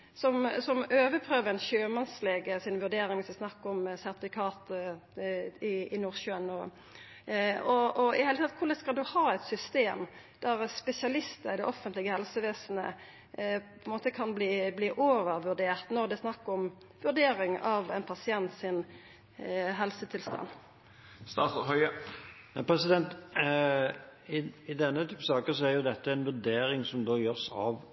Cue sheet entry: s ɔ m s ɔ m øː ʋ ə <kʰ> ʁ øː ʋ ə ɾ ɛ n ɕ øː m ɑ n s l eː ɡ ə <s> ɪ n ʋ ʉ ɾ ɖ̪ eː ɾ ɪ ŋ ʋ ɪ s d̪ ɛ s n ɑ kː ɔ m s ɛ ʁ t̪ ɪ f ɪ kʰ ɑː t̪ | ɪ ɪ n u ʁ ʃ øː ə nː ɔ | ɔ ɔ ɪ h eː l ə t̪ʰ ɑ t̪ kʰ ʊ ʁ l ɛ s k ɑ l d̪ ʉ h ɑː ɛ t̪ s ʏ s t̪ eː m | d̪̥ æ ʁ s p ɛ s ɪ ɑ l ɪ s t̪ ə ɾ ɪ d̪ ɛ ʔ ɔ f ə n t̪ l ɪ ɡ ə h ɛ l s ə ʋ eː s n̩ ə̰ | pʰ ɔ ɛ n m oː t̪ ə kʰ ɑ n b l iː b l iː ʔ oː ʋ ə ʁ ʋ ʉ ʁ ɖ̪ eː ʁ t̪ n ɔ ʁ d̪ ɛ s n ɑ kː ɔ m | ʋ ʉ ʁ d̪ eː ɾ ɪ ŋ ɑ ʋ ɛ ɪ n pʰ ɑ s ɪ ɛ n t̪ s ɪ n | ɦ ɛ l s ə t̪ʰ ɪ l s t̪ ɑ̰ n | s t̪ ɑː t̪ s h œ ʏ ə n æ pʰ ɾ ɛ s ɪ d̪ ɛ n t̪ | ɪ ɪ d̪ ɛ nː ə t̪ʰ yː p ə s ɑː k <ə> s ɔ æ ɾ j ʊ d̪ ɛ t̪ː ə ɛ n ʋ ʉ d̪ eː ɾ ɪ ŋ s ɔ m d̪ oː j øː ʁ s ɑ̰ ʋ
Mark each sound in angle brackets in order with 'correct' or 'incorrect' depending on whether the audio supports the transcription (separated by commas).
incorrect, correct, correct